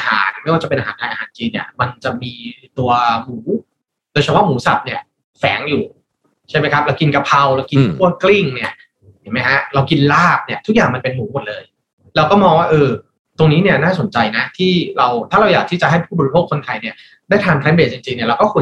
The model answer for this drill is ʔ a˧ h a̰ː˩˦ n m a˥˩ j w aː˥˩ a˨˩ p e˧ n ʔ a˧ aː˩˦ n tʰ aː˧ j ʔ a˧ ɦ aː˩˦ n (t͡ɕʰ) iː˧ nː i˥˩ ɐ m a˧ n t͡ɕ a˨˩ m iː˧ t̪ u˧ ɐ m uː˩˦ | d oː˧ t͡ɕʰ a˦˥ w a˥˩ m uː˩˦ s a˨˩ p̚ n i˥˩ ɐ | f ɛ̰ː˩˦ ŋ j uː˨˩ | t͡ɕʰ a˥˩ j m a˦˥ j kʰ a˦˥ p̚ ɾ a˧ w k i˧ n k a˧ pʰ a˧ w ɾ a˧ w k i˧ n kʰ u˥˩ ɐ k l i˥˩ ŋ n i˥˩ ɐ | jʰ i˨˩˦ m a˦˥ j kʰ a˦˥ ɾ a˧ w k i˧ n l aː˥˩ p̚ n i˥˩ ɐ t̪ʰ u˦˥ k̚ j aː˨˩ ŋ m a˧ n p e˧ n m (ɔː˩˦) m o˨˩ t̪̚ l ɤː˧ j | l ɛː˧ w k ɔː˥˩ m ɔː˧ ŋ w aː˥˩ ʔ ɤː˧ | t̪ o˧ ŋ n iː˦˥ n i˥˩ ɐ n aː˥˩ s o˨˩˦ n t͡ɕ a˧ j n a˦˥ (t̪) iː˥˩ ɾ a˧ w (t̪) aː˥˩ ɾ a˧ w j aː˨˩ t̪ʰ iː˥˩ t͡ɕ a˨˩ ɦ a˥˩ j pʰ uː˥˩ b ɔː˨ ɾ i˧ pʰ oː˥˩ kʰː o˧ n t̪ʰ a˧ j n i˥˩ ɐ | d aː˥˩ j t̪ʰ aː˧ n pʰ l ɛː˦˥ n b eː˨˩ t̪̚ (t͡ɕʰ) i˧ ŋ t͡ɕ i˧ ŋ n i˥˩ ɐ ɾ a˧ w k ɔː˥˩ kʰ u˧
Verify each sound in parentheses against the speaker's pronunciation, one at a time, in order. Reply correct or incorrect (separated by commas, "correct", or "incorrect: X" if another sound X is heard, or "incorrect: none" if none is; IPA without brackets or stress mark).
incorrect: t͡ɕ, incorrect: uː˩˦, incorrect: t̪ʰ, incorrect: t̪ʰ, incorrect: t͡ɕ